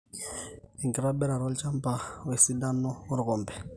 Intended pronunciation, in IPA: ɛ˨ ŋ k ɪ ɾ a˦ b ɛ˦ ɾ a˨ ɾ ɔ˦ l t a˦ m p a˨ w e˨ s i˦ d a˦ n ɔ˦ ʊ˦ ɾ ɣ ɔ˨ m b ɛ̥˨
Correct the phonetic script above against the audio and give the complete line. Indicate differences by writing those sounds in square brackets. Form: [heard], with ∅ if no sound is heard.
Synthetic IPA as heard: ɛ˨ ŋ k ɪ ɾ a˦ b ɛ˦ ɾ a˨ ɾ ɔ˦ l [t͡ʃ] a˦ m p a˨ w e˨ s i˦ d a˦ n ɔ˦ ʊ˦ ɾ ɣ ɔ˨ m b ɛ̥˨